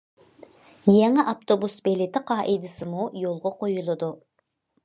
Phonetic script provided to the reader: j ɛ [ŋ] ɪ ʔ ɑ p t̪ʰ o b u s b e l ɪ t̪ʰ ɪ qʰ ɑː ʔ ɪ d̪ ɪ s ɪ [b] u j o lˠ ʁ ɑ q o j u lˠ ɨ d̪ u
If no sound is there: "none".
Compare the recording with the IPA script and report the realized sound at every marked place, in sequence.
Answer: ŋ, m

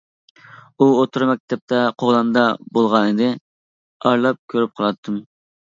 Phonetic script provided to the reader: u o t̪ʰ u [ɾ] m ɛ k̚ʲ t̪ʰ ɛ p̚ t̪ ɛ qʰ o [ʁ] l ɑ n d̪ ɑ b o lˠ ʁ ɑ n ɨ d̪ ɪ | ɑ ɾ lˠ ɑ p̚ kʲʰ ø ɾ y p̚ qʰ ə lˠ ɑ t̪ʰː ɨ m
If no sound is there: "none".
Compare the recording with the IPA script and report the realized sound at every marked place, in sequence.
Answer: ɾ, ʁ

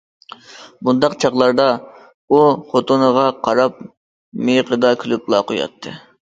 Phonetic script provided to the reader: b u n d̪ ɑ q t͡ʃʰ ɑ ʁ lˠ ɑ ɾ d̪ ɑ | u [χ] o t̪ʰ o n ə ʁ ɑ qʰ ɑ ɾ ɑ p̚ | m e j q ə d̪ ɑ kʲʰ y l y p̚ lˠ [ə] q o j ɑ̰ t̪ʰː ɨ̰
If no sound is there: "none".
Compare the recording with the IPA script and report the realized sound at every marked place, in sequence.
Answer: χ, ɑ

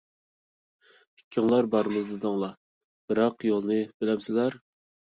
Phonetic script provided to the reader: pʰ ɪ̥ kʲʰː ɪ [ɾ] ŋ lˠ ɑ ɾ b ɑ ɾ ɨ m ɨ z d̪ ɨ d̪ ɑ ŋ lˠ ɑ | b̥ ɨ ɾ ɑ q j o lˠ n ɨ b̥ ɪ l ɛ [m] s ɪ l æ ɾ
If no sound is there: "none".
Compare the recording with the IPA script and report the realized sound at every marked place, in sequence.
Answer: none, m

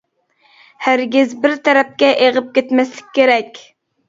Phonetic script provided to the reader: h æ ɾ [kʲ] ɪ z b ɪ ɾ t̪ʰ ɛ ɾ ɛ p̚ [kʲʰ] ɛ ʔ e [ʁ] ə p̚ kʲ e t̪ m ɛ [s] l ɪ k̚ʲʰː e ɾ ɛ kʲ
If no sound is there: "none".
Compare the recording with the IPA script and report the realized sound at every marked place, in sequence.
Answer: ɡʲ, kʲ, ʁ, s

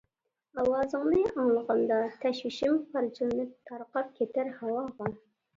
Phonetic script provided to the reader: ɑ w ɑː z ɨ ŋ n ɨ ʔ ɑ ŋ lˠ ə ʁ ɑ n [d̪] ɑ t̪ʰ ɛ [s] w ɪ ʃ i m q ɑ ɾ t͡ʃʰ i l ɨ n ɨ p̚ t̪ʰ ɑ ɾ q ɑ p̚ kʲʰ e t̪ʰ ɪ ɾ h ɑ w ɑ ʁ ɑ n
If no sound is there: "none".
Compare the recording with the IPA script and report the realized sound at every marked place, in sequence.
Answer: d̪, ʃ

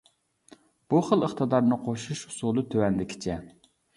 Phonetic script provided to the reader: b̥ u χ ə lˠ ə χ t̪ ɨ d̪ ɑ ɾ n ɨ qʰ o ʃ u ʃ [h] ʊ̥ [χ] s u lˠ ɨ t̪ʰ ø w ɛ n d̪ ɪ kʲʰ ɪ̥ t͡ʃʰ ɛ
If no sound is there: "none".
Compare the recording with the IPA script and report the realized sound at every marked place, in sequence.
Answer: h, none

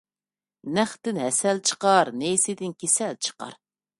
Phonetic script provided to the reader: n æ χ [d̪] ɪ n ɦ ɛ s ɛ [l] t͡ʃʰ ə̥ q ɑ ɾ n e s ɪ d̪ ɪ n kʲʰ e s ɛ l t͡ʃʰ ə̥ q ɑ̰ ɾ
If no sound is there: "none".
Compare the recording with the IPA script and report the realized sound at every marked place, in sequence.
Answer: t̪, l

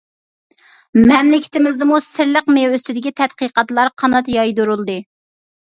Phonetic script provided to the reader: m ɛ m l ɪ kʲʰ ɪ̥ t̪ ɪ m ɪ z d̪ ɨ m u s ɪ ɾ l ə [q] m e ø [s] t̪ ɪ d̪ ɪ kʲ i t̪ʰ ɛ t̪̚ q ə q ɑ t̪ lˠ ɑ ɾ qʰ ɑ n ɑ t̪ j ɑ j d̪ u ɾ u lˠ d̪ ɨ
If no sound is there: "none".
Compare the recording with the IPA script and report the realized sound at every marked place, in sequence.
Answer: q, s

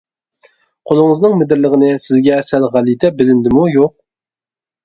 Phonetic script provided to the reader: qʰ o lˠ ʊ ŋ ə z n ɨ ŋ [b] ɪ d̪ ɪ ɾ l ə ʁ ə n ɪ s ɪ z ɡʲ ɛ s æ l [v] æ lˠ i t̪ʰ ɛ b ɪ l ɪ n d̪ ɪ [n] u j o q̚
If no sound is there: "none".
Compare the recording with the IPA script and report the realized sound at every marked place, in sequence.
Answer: m, ʁ, m

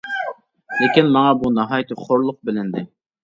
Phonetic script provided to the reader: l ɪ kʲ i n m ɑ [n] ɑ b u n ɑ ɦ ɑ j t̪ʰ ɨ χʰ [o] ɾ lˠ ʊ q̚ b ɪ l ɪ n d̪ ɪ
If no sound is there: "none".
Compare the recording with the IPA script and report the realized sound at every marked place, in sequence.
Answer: ŋ, o

